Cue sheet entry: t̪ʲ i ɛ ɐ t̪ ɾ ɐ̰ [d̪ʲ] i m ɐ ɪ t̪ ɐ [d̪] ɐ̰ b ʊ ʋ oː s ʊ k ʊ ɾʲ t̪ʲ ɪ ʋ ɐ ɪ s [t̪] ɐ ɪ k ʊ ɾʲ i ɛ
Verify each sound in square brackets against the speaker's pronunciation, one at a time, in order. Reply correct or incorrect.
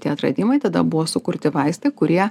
correct, correct, correct

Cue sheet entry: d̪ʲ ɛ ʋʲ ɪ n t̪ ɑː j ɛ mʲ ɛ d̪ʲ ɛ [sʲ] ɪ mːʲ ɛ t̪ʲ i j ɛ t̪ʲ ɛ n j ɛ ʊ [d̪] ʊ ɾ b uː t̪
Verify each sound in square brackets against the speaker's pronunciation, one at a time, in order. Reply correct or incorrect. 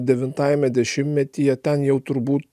incorrect, incorrect

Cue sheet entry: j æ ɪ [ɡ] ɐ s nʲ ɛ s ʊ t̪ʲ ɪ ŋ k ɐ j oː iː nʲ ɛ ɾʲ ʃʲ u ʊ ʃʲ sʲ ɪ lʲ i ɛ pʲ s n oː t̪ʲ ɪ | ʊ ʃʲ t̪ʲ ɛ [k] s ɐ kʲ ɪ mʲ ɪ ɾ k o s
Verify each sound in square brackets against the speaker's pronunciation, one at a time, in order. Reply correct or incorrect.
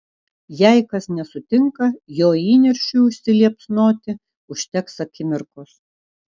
incorrect, correct

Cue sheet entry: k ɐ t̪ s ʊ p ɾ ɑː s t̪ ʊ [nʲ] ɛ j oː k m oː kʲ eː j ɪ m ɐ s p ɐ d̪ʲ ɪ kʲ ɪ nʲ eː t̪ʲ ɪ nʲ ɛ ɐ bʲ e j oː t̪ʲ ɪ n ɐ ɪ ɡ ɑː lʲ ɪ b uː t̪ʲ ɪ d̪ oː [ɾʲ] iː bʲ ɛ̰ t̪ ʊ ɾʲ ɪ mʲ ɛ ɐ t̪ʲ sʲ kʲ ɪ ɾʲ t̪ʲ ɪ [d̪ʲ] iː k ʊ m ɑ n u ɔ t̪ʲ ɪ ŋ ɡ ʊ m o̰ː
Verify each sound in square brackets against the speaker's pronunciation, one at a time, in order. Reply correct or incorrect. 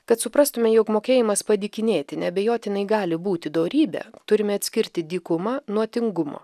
incorrect, correct, correct

